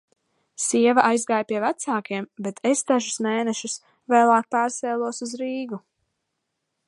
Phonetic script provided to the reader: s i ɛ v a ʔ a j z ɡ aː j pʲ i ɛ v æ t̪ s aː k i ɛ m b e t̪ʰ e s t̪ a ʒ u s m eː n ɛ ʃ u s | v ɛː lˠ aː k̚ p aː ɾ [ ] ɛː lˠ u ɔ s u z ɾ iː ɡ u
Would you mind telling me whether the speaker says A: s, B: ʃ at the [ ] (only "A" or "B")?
A